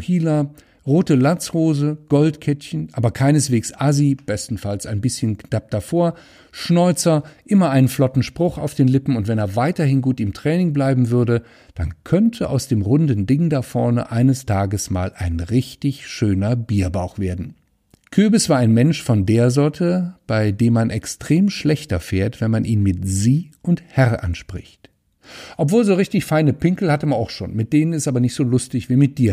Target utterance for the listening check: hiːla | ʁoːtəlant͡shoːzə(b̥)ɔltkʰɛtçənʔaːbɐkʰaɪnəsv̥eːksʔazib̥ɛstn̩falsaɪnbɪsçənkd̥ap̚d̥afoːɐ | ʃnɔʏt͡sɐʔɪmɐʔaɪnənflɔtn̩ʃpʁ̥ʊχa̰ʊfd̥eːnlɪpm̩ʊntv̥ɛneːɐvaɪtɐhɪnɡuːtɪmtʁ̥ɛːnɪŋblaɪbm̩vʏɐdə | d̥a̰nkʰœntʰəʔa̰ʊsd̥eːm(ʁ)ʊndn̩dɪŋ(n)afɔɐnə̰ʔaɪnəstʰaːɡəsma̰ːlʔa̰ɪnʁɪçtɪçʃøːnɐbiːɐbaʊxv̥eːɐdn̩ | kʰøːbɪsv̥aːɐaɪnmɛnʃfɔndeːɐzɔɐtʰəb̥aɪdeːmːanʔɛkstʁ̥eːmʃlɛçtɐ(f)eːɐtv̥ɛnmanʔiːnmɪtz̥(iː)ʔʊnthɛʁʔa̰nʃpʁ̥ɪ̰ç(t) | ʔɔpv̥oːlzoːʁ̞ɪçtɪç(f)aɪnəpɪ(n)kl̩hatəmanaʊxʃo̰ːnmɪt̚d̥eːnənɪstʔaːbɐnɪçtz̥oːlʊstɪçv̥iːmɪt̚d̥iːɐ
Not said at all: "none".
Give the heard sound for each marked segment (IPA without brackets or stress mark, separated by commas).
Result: ɡ̥, ʁ, d, f, iː, t, f, ŋ